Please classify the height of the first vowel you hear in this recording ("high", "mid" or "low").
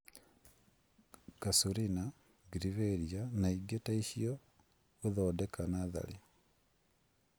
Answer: low